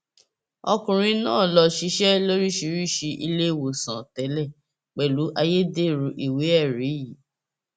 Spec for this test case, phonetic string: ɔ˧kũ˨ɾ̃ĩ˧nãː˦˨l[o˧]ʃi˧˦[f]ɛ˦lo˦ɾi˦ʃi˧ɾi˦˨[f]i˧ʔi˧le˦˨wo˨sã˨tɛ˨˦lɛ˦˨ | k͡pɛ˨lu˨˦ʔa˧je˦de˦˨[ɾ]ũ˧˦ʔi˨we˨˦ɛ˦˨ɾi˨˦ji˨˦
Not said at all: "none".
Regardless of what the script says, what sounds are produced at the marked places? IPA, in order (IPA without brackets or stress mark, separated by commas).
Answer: ɔ˧, ʃ, ʃ, ɾ